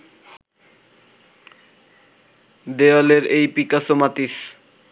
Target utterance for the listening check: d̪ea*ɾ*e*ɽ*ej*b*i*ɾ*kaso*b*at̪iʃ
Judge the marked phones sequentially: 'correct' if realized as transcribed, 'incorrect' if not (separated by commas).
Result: incorrect, incorrect, incorrect, incorrect, incorrect